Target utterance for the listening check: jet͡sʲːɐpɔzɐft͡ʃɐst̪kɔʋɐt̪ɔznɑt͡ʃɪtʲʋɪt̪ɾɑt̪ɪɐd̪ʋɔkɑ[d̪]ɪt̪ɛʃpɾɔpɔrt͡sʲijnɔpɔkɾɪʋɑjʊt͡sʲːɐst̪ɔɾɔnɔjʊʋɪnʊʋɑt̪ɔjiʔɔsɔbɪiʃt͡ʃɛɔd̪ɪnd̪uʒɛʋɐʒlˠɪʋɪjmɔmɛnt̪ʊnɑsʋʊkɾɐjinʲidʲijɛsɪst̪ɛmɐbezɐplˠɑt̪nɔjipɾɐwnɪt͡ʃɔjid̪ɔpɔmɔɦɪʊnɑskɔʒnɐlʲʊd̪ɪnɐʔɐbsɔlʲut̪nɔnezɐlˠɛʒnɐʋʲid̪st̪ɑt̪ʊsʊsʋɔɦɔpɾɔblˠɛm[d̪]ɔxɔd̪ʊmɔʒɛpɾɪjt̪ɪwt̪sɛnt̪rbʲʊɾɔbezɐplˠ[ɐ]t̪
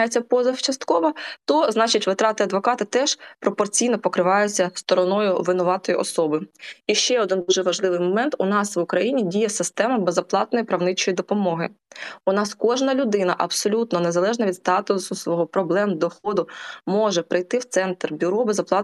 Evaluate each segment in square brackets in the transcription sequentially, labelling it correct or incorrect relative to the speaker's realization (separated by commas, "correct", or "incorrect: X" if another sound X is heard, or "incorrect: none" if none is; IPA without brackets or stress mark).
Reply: incorrect: t̪, correct, incorrect: ɑ